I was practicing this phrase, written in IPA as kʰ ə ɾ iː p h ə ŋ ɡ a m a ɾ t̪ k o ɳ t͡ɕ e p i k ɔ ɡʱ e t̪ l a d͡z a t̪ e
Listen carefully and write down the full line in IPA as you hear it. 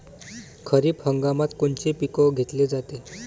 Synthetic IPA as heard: kʰ ə ɾ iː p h ə ŋ ɡ a m a t̪ k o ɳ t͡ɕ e p i k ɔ ɡʱ e t̪ l e d͡z a t̪ e